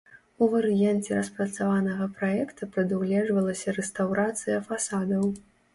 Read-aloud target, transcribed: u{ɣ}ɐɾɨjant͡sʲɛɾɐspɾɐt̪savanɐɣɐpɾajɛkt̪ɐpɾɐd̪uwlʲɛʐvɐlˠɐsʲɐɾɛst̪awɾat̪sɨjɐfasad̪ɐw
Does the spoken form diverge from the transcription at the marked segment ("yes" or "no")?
yes